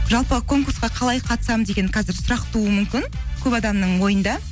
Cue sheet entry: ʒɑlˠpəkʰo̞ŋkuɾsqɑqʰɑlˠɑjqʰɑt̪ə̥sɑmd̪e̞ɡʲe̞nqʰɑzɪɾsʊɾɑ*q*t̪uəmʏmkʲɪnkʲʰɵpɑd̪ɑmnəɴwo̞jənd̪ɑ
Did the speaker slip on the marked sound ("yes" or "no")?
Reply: no